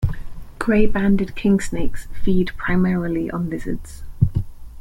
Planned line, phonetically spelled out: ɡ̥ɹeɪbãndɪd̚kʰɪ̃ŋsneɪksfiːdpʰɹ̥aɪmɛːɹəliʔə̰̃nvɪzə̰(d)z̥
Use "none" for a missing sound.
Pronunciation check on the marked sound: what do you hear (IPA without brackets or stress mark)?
d